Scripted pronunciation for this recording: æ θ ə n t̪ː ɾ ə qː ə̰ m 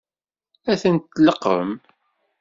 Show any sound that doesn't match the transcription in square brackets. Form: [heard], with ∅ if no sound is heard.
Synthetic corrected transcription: æ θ ə n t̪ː [l] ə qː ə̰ m